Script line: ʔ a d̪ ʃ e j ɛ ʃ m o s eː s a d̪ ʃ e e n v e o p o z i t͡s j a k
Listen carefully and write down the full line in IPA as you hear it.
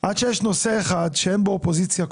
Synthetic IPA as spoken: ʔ a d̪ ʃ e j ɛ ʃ n o s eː χ a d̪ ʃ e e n b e o p o z i t͡s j a k